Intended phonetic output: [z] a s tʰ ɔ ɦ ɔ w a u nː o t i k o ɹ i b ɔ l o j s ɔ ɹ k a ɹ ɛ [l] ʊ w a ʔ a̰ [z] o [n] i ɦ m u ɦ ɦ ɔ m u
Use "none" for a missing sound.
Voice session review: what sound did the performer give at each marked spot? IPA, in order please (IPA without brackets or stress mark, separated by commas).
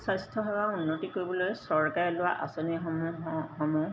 s, l, s, n